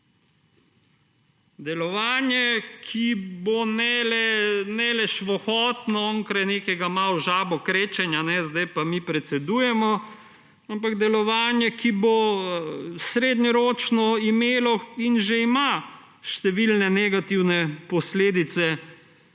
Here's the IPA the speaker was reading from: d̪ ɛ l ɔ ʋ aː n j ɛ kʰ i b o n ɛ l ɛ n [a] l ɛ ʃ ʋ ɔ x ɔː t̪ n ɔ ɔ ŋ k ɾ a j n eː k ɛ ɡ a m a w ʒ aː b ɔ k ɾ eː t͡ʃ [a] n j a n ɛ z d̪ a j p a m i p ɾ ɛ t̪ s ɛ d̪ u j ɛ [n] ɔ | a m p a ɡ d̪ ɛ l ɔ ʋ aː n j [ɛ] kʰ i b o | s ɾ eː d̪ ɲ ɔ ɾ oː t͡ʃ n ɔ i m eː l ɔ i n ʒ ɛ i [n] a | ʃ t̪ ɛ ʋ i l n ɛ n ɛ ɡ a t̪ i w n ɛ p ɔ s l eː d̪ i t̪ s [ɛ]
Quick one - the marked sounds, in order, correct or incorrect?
incorrect, incorrect, incorrect, correct, incorrect, correct

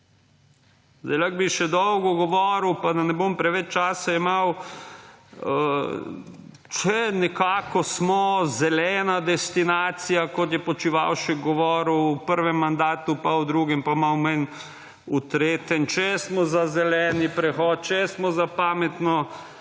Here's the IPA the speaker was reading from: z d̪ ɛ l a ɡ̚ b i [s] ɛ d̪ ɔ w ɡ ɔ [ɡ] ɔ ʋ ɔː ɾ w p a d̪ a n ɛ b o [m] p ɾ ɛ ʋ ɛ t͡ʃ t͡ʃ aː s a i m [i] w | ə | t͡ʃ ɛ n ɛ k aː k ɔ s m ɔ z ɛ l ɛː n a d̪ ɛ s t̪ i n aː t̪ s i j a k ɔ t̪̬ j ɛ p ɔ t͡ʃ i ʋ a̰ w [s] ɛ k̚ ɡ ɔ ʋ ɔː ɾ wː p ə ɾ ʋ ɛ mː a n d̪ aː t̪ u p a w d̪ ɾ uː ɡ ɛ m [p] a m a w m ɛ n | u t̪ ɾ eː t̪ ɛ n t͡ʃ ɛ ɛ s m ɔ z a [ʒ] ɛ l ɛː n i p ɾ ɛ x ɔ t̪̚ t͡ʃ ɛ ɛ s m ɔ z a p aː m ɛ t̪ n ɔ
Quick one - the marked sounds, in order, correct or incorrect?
incorrect, correct, correct, incorrect, incorrect, correct, incorrect

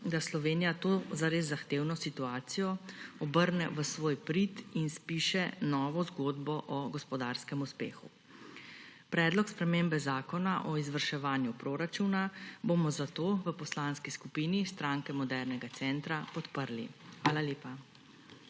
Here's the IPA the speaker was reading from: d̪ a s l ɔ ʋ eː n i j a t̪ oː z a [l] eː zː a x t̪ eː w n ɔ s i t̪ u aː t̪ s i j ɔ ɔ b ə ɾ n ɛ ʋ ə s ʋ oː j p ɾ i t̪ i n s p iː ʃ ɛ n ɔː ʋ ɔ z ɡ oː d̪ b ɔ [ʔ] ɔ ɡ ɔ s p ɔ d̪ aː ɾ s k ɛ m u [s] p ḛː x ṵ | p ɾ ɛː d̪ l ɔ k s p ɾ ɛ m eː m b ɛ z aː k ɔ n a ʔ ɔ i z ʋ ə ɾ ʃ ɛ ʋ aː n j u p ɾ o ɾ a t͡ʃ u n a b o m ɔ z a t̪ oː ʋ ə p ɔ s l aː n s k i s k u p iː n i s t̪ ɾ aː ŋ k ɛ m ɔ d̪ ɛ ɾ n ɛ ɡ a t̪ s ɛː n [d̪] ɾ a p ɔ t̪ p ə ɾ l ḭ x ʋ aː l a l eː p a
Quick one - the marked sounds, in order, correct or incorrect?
incorrect, correct, correct, incorrect

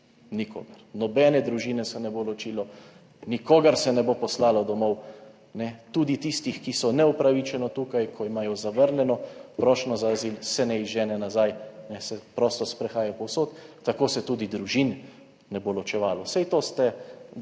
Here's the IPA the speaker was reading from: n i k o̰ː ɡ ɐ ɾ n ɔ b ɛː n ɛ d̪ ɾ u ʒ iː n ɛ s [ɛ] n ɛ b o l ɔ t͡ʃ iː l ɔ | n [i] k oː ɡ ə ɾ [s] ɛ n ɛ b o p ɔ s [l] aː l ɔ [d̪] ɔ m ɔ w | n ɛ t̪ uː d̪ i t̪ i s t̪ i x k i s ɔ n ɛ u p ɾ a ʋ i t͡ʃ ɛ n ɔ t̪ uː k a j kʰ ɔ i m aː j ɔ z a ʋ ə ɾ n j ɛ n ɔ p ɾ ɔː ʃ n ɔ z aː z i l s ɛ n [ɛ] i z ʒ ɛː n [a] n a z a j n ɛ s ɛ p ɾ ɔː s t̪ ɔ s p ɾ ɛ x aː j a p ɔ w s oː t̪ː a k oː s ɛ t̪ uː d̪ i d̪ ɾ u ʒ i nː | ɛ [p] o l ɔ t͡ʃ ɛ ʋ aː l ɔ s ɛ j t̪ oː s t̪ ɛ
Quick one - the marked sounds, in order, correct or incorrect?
correct, correct, correct, correct, correct, correct, incorrect, incorrect

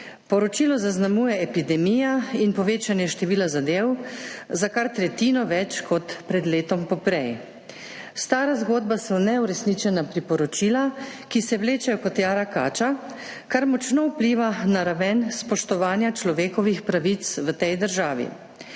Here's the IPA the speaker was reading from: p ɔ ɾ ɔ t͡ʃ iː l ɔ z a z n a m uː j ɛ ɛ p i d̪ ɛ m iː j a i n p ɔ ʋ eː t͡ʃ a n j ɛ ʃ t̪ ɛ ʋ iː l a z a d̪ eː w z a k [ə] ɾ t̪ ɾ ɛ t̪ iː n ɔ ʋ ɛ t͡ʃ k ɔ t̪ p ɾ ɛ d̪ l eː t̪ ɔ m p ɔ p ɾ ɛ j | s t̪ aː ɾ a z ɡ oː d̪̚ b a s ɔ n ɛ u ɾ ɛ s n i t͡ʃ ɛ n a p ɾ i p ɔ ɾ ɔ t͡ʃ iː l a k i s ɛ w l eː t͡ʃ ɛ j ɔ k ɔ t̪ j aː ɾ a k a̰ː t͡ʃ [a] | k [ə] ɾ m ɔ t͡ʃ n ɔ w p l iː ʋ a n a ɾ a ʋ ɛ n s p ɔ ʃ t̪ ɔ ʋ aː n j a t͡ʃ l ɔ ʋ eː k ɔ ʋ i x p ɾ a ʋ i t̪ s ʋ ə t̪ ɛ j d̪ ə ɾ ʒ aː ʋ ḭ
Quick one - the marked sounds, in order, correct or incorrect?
incorrect, correct, incorrect

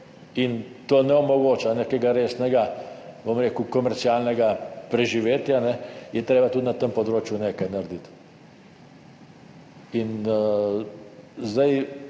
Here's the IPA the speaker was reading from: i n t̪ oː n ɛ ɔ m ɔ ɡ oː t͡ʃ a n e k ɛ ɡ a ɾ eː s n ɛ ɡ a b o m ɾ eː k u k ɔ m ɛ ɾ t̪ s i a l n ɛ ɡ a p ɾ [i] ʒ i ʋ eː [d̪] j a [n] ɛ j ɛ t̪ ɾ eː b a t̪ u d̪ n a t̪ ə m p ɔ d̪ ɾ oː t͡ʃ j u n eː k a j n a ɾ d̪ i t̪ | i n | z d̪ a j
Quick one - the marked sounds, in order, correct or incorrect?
incorrect, incorrect, correct

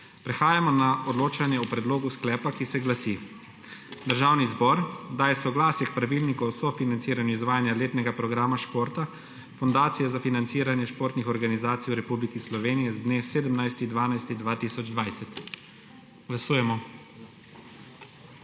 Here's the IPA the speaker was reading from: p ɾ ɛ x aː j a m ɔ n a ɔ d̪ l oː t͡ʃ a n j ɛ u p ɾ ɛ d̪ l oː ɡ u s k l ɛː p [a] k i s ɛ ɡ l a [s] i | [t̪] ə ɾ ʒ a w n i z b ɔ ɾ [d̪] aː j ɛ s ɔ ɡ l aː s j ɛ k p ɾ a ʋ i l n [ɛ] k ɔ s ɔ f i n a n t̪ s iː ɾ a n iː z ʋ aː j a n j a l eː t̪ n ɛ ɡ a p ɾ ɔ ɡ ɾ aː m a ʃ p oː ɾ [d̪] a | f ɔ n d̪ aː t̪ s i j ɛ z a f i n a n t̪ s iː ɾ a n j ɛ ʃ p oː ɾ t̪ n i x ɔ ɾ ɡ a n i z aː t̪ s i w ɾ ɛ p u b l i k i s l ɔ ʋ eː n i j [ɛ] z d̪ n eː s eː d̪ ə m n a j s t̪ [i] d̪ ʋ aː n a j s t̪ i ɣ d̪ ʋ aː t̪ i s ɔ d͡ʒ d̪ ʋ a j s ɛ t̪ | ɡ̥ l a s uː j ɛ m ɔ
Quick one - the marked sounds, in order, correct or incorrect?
correct, correct, incorrect, correct, incorrect, incorrect, correct, correct

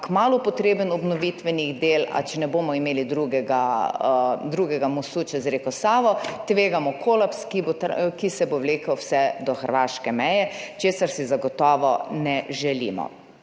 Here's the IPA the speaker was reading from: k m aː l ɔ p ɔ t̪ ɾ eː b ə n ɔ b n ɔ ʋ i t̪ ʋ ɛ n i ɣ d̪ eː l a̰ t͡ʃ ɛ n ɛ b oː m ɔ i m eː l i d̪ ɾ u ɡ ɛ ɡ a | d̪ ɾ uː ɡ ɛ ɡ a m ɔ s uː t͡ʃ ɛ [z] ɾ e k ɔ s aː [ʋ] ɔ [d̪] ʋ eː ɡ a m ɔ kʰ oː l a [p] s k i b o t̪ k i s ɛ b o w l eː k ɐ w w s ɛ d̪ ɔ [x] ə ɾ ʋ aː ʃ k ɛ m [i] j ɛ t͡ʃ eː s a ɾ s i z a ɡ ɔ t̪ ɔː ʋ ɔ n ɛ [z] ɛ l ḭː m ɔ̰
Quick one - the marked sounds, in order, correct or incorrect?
correct, correct, incorrect, correct, correct, incorrect, incorrect

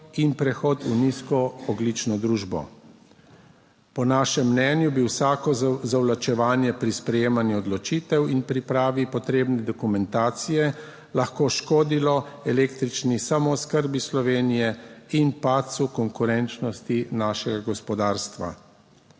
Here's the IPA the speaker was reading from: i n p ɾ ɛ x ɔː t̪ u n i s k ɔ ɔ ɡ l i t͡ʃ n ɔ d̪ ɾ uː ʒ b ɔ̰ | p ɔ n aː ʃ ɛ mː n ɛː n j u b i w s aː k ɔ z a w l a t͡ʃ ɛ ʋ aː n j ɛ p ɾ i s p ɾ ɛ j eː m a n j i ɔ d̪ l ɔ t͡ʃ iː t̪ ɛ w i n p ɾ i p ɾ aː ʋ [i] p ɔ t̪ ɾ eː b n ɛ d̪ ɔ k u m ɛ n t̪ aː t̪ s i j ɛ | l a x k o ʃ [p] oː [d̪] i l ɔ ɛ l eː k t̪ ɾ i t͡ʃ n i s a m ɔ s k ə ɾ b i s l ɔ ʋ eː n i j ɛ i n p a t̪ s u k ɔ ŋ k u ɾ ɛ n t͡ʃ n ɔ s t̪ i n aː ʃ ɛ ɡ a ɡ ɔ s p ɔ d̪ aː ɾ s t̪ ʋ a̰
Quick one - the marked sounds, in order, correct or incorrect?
correct, incorrect, correct

